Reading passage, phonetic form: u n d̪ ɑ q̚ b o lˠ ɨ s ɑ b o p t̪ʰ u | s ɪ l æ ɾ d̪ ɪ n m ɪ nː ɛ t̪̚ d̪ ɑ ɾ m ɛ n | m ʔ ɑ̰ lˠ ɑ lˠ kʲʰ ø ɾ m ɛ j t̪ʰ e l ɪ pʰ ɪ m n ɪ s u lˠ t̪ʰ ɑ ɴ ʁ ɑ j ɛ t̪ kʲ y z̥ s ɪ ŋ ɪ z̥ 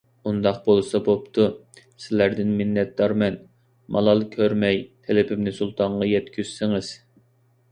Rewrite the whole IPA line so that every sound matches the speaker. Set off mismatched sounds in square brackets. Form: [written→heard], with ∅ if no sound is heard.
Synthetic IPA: u n d̪ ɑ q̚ b o lˠ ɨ s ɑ b o p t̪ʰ u | s ɪ l æ ɾ d̪ ɪ n m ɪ nː ɛ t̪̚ d̪ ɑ ɾ m ɛ n | m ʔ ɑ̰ lˠ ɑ lˠ kʲʰ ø ɾ m ɛ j t̪ʰ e l ɪ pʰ ɪ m n ɪ s u lˠ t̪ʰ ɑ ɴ ʁ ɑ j ɛ t̪ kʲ y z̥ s ɪ ŋ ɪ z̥